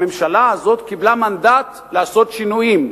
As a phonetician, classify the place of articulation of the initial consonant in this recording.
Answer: labial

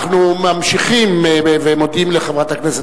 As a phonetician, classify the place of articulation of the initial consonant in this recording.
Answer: uvular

